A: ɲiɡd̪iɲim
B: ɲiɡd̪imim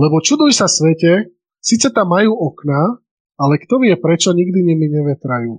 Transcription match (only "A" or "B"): A